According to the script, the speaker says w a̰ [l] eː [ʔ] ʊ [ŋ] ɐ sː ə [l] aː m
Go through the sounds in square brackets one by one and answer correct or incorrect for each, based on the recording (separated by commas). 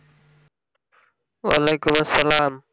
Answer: correct, incorrect, incorrect, correct